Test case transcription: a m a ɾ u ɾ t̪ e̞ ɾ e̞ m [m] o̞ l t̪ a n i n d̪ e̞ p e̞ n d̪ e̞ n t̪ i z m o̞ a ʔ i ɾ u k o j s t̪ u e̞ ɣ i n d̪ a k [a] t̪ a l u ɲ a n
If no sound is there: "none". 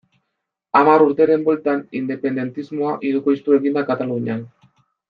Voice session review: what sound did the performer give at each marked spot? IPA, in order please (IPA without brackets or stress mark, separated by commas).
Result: b, a